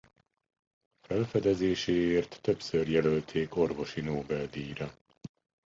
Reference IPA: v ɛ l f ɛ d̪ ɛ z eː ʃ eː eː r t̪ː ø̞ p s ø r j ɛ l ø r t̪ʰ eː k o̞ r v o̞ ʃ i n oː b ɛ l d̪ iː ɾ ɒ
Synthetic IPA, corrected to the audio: f ɛ l f ɛ d̪ ɛ z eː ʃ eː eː r t̪ː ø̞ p s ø r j ɛ l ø l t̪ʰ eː k o̞ r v o̞ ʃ i n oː b ɛ l d̪ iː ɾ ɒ